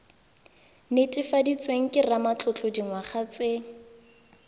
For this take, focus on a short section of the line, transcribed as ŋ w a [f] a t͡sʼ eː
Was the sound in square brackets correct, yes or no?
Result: no